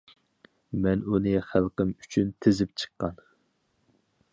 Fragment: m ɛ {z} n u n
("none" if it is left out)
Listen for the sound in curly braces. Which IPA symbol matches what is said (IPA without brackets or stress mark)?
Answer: none